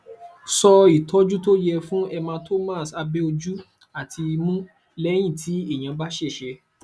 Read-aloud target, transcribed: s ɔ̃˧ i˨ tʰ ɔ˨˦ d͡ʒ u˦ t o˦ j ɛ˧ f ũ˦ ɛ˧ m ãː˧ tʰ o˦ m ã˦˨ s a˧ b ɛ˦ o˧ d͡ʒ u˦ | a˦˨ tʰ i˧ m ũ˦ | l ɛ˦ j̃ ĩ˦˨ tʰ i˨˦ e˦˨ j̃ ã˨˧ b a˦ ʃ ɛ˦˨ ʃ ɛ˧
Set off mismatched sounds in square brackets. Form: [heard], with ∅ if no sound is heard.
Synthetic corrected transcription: s [ɔ˧] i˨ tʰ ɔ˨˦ d͡ʒ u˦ t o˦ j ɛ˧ f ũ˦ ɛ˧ m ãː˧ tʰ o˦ m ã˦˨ s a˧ b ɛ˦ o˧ d͡ʒ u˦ | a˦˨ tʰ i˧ m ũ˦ | l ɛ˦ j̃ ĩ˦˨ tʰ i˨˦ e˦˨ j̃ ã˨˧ b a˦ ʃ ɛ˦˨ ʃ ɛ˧

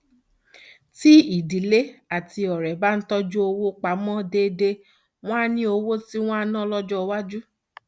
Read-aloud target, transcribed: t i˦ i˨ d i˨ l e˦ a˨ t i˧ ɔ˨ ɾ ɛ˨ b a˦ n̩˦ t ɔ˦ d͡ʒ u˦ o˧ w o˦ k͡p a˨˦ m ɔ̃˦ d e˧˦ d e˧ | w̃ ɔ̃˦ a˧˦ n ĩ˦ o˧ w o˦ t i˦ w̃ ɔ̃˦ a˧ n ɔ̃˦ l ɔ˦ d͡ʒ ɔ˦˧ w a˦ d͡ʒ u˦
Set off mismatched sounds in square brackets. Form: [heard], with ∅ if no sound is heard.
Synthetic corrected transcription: t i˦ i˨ d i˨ l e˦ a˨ t i˧ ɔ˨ ɾ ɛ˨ b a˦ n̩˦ t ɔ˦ d͡ʒ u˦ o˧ w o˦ k͡p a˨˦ m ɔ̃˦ d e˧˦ d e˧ | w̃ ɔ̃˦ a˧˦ n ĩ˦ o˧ w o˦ t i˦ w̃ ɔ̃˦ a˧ n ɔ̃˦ l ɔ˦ d͡ʒ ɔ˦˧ w a˦ d͡ʒ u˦

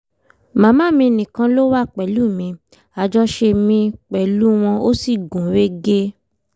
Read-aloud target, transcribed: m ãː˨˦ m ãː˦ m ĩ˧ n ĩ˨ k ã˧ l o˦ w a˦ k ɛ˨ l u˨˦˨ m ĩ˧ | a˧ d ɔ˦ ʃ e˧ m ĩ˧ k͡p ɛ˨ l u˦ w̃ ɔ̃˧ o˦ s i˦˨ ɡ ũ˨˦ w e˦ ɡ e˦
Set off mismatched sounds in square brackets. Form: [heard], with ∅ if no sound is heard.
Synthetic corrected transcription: m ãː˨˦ m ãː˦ m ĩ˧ n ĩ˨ k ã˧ l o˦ w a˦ [k͡p] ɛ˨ l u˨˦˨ m ĩ˧ | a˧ [d͡ʒ] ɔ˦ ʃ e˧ m ĩ˧ k͡p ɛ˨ l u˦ w̃ ɔ̃˧ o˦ s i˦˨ ɡ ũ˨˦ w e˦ ɡ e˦

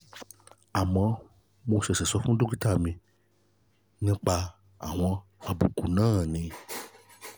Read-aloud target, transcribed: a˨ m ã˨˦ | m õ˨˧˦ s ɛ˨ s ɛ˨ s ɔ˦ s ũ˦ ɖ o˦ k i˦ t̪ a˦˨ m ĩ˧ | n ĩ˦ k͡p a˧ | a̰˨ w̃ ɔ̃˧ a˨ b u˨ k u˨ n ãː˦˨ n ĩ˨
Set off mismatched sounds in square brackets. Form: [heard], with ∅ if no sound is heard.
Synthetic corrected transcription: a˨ m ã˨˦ | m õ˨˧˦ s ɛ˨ s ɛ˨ s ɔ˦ [f] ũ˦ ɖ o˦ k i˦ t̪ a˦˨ m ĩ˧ | n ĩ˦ k͡p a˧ | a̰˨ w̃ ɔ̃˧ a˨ b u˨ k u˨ n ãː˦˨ n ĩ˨

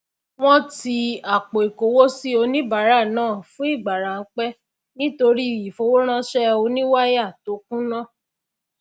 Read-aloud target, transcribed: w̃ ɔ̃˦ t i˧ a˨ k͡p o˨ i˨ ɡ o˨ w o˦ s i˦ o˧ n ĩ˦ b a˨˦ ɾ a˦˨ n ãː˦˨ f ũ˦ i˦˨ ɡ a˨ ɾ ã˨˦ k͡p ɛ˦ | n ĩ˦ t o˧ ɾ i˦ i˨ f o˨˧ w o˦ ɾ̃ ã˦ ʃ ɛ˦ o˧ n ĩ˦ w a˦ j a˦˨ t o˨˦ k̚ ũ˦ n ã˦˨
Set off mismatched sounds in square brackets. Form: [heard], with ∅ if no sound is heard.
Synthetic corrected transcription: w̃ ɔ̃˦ t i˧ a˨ k͡p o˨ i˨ [k] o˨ w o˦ s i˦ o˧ n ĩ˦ b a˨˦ ɾ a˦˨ n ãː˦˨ f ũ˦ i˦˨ [ɡ͡b] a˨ ɾ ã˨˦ k͡p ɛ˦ | n ĩ˦ t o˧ ɾ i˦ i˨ f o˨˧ w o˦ ɾ̃ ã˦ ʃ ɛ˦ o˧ n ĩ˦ w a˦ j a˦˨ t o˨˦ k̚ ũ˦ n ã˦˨

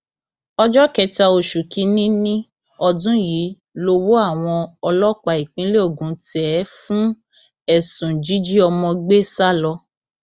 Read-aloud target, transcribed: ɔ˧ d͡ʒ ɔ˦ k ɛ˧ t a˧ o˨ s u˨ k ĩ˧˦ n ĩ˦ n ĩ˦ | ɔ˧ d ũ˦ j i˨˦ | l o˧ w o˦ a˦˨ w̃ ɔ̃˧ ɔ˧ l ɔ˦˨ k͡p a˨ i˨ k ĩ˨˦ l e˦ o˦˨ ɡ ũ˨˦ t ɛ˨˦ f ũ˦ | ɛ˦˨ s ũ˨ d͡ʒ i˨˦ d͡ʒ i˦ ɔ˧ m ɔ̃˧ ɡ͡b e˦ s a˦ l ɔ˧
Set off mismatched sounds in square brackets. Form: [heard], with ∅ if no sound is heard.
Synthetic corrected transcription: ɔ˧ d͡ʒ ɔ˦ k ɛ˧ t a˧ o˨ [ʃ] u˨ k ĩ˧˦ n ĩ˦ n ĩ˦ | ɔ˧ d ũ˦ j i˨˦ | l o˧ w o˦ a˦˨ w̃ ɔ̃˧ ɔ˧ l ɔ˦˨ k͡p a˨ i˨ [k͡p] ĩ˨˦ l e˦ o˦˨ ɡ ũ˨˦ t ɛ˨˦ f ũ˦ | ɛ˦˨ s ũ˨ d͡ʒ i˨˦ d͡ʒ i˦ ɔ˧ m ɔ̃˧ ɡ͡b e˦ s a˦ l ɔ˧

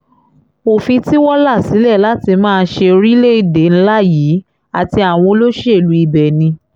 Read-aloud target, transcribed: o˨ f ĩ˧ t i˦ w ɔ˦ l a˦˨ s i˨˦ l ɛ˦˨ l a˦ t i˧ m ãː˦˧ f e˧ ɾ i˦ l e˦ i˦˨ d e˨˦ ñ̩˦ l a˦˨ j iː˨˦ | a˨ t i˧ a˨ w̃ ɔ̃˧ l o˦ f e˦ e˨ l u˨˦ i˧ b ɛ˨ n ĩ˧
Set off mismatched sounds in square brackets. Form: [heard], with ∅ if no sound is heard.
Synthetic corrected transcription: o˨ f ĩ˧ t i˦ w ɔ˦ l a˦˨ s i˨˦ l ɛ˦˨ l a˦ t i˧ m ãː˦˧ [ʃ] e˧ ɾ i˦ l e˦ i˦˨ d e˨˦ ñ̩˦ l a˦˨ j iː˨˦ | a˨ t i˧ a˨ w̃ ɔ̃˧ l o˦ [ʃ] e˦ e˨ l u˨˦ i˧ b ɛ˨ n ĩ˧

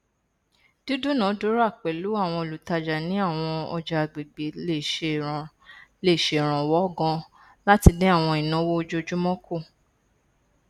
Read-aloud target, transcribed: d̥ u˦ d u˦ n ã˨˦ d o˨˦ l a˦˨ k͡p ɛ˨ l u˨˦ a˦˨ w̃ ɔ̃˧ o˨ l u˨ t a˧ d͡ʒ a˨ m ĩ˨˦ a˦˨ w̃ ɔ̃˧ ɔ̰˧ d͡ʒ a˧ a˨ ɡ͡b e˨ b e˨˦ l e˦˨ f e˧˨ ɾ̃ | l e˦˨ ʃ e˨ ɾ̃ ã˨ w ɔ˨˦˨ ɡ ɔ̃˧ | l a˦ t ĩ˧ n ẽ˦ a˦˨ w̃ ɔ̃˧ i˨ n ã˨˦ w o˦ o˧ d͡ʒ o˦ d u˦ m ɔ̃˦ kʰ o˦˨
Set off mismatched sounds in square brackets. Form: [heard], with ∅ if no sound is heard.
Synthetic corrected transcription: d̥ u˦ d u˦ n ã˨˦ d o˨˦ [ɾ] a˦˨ k͡p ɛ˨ l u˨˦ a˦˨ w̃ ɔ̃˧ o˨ l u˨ t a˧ d͡ʒ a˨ [n] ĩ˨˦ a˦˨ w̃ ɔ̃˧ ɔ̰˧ d͡ʒ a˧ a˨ ɡ͡b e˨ [ɡ͡b] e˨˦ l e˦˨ [ʃ] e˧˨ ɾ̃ | l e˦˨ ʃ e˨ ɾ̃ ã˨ w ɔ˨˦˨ ɡ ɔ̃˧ | l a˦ t [i˧] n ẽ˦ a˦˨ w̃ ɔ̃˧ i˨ n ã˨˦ w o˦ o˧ d͡ʒ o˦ [d͡ʒ] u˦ m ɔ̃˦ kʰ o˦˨

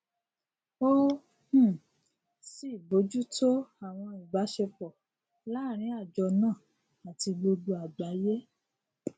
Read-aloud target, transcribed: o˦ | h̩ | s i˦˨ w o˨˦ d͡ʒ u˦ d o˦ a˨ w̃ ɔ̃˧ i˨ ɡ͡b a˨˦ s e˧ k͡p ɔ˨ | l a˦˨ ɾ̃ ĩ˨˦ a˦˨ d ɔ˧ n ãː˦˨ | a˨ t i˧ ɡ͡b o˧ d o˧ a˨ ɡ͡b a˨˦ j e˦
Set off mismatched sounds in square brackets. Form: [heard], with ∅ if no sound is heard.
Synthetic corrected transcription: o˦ | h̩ | s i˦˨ [b] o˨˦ d͡ʒ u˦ [t] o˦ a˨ w̃ ɔ̃˧ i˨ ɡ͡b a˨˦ [ʃ] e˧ k͡p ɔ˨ | l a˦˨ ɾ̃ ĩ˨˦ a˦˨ [d͡ʒ] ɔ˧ n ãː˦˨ | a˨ t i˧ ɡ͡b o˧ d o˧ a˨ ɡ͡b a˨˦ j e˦

